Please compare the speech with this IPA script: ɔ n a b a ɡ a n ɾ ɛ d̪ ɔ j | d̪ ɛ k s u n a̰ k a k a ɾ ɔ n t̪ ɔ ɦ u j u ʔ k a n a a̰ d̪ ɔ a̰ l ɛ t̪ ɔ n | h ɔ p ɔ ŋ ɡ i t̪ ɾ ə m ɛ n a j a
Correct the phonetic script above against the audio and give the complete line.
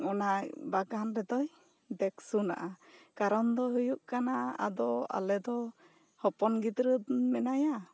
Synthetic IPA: ɔ n a b a ɡ a n ɾ ɛ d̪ ɔ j | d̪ ɛ k s u n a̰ ʔ a k a ɾ ɔ n d̪ ɔ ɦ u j u ʔ k a n a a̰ d̪ ɔ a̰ l ɛ d̪ ɔ | h ɔ p ɔ n ɡ i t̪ ɾ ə m ɛ n a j a